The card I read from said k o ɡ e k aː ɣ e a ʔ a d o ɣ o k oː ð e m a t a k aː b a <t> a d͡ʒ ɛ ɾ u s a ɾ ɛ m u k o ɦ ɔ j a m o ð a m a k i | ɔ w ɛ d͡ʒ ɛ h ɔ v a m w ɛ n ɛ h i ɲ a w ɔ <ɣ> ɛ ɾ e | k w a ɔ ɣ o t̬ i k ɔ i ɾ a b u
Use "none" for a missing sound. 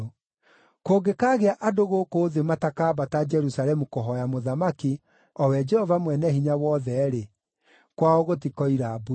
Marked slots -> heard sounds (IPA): t, ð

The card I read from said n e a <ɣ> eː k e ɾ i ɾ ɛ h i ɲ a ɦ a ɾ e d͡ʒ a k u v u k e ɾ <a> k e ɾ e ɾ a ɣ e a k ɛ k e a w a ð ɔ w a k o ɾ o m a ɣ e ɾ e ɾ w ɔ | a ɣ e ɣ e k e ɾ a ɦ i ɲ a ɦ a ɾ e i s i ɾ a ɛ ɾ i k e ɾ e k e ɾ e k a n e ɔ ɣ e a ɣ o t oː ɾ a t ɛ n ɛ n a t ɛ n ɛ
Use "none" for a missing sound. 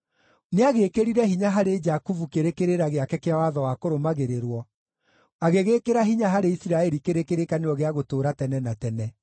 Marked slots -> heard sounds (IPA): ɣ, e

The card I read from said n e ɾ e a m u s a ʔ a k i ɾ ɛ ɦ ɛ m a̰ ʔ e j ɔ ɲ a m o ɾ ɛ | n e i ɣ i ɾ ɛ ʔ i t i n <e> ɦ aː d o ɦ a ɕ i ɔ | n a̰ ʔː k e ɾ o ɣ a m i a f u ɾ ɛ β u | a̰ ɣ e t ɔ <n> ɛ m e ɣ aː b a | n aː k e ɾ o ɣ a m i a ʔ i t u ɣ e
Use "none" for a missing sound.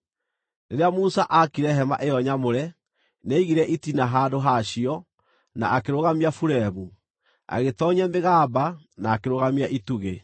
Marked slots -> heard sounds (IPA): a, ɲ

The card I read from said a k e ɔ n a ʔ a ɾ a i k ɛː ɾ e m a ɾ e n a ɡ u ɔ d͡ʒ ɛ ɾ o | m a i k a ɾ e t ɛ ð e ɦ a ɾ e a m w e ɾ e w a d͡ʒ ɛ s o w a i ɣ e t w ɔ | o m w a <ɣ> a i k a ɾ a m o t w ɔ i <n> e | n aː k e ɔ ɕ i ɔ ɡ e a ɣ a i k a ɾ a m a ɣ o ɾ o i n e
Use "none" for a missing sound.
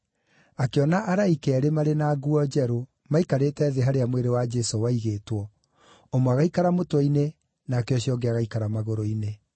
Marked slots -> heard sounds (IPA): ɣ, n

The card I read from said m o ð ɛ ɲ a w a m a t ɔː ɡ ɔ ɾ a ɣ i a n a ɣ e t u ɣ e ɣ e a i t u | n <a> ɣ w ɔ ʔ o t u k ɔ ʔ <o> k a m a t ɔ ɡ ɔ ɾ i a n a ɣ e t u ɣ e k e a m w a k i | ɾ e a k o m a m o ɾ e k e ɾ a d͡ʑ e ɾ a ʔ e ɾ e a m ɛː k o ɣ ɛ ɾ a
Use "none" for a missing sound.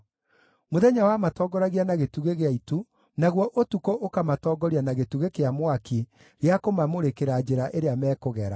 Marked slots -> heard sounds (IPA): a, o

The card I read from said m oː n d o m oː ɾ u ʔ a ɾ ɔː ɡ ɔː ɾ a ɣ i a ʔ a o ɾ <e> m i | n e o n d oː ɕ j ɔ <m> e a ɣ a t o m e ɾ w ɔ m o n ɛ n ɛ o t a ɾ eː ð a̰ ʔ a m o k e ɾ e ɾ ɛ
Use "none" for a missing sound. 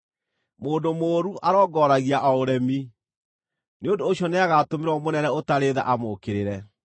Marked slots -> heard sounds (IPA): ɛ, n

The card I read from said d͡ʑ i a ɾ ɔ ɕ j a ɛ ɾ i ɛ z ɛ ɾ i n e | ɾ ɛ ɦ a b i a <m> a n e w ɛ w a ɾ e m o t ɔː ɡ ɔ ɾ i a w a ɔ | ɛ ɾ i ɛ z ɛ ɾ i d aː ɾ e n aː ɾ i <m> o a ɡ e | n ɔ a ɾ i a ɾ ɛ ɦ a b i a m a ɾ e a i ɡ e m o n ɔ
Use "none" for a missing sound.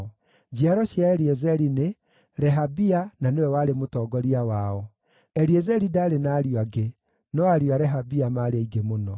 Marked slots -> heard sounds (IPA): n, none

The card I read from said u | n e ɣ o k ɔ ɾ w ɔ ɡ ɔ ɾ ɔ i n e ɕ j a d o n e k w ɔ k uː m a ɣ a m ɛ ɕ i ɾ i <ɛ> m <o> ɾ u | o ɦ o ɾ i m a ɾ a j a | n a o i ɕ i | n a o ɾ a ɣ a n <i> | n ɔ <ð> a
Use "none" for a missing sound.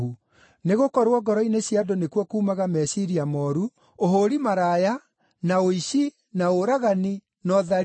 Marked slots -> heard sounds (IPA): a, ɔ, i, ð

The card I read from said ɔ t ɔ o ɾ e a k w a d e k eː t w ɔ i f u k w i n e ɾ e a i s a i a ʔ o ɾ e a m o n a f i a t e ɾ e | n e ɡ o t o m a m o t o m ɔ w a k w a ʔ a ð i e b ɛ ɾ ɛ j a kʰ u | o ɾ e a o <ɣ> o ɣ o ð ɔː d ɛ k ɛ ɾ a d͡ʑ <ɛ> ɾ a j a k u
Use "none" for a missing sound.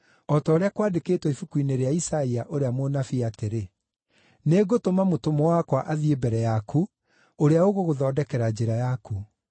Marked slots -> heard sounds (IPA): ɣ, e

